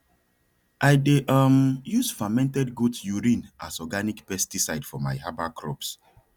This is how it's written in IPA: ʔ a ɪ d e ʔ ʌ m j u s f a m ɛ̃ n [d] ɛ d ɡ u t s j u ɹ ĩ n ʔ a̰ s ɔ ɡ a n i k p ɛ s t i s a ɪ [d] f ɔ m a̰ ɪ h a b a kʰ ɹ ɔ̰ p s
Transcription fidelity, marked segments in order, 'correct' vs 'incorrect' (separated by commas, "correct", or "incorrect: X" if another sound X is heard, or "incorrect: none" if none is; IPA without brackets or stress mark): incorrect: t, correct